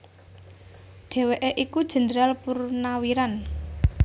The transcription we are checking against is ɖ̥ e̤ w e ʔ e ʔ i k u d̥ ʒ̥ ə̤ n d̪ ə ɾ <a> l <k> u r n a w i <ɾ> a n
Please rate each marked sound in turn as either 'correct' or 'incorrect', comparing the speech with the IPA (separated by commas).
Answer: correct, incorrect, correct